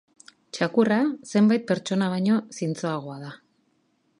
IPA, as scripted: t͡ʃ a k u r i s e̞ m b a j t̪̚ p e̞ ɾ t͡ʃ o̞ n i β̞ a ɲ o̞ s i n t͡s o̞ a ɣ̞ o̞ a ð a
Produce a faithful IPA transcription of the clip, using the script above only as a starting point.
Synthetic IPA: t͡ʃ a k u r a s e̞ m b a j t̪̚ p e̞ ɾ t͡ʃ o̞ n a β̞ a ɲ o̞ s i n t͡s o̞ a ɣ̞ o̞ a ð a